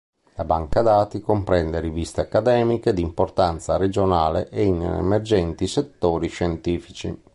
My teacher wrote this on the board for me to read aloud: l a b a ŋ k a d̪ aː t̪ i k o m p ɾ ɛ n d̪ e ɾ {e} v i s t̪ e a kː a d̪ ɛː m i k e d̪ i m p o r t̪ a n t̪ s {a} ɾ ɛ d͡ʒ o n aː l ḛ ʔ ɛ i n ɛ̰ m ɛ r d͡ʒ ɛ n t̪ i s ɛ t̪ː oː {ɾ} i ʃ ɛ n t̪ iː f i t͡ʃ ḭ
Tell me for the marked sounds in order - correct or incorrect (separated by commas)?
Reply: incorrect, correct, correct